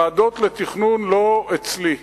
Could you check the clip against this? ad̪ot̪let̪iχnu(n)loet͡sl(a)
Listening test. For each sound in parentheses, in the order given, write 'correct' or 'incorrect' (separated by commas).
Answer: correct, incorrect